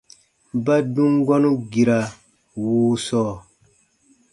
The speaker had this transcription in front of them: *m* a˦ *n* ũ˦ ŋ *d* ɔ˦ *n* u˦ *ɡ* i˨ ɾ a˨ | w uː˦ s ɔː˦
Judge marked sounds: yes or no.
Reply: no, no, no, yes, yes

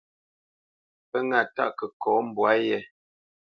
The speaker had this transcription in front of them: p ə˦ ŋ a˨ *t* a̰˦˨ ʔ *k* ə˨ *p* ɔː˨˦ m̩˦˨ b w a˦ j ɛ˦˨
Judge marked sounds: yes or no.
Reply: yes, yes, no

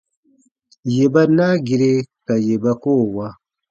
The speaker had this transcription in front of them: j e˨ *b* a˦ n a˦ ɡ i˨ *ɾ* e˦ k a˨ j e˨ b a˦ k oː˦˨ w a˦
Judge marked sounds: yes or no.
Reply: yes, yes

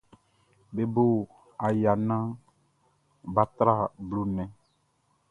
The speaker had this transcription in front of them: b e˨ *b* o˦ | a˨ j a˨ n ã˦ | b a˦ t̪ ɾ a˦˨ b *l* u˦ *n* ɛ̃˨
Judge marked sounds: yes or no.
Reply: yes, yes, yes

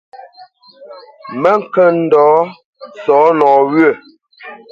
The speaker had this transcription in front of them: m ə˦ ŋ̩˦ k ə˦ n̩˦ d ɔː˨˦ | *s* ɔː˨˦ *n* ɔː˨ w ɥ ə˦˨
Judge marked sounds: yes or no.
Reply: yes, yes

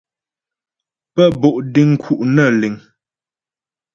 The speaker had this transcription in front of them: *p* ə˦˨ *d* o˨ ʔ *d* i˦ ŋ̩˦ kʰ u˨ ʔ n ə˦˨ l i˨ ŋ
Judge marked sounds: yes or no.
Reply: yes, no, yes

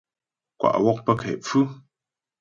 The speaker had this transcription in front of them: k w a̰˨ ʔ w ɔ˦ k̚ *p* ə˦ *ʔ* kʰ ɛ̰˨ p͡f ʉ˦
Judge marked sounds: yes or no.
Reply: yes, no

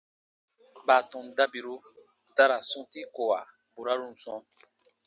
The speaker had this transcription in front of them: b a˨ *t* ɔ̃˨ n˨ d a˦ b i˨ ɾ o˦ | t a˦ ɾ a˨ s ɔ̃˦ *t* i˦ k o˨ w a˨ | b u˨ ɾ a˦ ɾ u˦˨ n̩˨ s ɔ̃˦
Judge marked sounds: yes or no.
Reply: yes, yes

